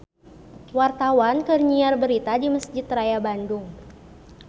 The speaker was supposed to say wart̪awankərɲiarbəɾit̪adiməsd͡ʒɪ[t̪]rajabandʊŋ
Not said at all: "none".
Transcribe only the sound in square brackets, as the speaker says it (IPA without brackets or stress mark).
t̪